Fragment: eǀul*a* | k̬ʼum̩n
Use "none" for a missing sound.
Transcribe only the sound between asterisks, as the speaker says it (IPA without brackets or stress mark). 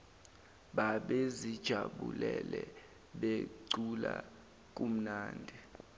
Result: a